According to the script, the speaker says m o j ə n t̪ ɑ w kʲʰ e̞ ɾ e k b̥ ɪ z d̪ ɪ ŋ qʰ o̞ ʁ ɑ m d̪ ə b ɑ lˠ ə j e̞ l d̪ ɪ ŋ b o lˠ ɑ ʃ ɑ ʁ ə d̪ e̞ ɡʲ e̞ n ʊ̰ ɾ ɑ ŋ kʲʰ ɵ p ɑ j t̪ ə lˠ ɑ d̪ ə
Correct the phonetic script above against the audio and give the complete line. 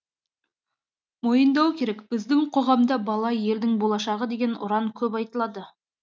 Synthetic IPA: m o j ə n d̪ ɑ w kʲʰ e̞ ɾ e k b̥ ɪ z d̪ ɪ ŋ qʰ o̞ ʁ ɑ m d̪ ɑ b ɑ lˠ ɑ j e̞ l d̪ ɪ ŋ b o lˠ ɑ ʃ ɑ ʁ ə d̪ e̞ ɡʲ e̞ n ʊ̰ ɾ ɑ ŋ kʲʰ ɵ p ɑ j t̪ ə lˠ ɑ d̪ ə